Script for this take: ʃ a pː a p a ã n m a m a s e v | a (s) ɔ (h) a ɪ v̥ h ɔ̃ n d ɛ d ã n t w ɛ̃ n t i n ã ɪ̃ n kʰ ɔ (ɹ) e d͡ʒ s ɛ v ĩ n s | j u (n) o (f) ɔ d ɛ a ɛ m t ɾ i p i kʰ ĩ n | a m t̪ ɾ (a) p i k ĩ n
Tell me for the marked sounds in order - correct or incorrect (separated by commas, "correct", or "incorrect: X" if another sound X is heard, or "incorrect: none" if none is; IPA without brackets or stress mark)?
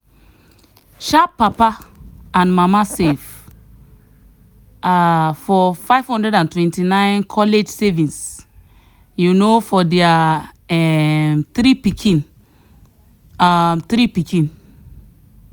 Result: incorrect: f, incorrect: f, incorrect: l, correct, correct, incorrect: i